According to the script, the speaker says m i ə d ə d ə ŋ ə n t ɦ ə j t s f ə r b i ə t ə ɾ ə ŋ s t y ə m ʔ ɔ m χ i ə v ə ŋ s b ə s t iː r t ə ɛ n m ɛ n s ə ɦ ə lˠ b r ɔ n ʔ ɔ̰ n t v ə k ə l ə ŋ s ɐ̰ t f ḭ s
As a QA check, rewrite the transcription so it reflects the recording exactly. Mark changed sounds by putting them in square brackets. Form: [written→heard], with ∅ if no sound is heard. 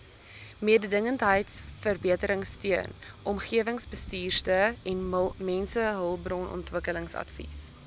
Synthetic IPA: m i ə d ə d ə ŋ ə n t ɦ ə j t s f ə r b i ə t ə ɾ ə ŋ s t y ə [m→n] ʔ ɔ m χ i ə v ə ŋ s b ə s t iː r t ə ɛ n m ɛ n s ə ɦ ə lˠ b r ɔ n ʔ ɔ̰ n t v ə k ə l ə ŋ s ɐ̰ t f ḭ s